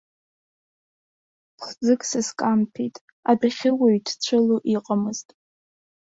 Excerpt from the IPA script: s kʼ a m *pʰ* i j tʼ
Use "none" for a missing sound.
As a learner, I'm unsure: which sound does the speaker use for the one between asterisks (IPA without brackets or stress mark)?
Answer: pʰ